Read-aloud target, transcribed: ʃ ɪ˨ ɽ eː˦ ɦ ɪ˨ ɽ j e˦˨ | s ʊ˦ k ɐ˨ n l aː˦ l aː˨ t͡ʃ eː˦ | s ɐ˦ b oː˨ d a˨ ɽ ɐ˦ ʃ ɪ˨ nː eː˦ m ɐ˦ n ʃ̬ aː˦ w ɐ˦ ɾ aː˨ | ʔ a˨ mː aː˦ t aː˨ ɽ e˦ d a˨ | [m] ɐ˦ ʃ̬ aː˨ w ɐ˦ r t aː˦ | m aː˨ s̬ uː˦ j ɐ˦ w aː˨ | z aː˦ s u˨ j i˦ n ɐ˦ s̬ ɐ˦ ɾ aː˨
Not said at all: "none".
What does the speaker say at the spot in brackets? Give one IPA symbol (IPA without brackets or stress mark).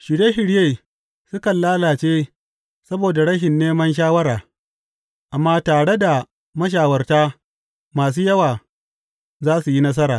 m